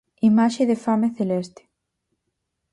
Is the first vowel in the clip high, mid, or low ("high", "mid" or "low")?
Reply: high